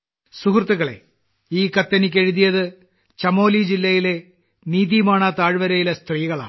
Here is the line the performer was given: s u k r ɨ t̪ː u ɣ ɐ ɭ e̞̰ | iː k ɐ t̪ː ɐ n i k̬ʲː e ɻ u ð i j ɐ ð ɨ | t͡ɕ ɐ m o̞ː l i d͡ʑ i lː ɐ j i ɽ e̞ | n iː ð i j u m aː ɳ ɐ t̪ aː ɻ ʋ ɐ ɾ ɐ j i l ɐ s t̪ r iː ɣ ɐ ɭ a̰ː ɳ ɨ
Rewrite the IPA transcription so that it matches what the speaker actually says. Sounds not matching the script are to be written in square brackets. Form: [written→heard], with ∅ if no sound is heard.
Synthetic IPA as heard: s u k r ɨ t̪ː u ɣ ɐ ɭ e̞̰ | iː k ɐ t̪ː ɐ n i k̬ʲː e ɻ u ð i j ɐ ð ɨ | t͡ɕ ɐ m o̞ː l i d͡ʑ i lː ɐ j i [ɽ→l] e̞ | n iː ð i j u m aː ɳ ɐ t̪ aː ɻ ʋ ɐ ɾ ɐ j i l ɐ s t̪ r iː ɣ ɐ ɭ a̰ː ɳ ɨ